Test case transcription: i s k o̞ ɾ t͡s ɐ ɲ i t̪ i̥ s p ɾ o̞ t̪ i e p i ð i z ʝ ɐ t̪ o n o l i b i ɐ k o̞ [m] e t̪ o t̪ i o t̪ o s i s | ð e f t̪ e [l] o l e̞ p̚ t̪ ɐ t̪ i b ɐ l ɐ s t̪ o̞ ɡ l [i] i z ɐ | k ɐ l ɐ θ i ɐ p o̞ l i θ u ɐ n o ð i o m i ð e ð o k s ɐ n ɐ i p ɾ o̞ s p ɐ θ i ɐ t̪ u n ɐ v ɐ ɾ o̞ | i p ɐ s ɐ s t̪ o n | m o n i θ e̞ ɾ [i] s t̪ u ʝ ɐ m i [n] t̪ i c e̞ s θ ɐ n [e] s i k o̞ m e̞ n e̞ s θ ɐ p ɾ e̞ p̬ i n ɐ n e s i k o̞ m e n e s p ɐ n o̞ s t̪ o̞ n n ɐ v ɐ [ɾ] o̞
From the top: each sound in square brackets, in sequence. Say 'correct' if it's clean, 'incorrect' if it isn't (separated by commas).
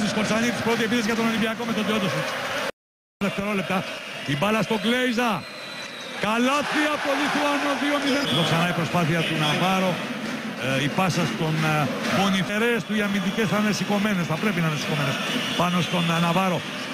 correct, incorrect, incorrect, incorrect, correct, correct, correct